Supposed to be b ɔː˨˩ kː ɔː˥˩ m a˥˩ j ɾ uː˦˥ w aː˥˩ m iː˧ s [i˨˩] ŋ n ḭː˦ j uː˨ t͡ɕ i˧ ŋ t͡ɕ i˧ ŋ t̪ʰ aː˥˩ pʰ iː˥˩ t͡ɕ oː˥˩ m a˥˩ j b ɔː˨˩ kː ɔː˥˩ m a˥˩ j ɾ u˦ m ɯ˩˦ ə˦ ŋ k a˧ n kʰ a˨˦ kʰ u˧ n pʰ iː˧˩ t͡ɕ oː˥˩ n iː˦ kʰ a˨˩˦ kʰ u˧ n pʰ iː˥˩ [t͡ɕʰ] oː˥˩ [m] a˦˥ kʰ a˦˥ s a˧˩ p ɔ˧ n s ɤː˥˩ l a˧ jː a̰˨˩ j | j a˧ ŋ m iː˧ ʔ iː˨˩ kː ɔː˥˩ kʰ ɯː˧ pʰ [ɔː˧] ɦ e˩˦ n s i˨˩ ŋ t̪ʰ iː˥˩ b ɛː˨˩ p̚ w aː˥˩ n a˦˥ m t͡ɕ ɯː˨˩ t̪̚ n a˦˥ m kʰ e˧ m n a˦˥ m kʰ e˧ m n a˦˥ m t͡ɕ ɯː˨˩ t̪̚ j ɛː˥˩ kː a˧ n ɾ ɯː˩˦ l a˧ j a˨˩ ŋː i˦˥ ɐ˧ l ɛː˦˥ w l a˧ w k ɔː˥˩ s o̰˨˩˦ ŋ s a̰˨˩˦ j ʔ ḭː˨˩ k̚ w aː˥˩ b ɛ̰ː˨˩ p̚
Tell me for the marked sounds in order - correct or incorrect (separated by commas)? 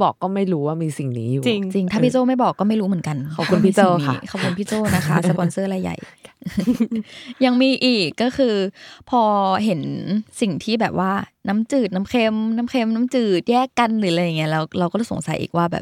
correct, incorrect, incorrect, correct